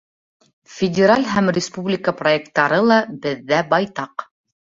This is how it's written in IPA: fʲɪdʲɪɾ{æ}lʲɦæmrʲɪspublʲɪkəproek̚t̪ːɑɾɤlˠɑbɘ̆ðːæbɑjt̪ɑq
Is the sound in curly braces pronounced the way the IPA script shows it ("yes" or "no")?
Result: no